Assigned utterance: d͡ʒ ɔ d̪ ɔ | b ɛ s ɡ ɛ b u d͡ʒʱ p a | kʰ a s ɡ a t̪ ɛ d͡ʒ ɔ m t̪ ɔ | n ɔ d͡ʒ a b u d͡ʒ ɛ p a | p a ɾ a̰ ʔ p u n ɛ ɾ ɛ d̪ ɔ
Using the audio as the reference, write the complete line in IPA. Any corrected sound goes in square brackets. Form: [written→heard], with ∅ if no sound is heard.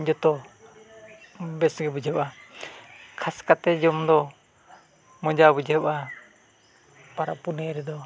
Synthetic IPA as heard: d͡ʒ ɔ [d̪→t̪] ɔ | b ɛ s ɡ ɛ b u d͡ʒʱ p a | kʰ a s [ɡ→k] a t̪ ɛ d͡ʒ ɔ m [t̪→d̪] ɔ | [n→m] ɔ d͡ʒ a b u d͡ʒ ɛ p a | p a ɾ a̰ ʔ p u n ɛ ɾ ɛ d̪ ɔ